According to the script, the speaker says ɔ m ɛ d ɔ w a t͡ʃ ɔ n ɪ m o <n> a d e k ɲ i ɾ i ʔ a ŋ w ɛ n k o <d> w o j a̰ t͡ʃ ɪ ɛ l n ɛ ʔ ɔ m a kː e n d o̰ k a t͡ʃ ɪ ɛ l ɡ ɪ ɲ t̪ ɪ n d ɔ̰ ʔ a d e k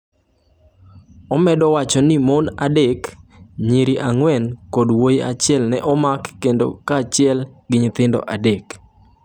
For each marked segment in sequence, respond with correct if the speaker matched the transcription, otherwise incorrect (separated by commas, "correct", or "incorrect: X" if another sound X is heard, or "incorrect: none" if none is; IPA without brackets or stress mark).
correct, correct